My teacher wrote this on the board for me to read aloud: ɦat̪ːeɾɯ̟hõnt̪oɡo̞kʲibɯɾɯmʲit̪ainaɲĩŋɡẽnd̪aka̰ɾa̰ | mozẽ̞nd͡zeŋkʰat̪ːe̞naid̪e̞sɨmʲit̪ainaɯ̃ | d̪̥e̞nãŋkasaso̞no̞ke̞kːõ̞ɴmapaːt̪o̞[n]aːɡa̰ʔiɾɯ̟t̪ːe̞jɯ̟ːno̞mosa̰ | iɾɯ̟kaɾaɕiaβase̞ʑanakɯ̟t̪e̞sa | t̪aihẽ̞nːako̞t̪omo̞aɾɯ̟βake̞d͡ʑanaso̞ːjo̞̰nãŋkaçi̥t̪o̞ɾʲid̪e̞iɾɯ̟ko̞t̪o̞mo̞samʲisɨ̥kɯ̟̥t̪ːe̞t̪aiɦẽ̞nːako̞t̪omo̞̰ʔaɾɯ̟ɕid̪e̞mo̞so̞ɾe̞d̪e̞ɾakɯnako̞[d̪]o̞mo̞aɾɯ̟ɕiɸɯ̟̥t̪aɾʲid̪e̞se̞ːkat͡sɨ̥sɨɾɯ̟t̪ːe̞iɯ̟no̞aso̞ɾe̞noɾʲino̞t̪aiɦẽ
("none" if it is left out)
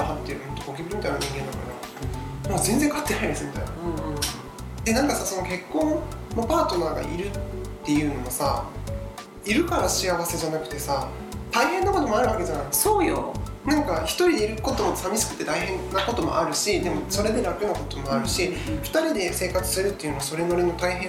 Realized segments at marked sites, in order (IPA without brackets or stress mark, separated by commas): n, t̪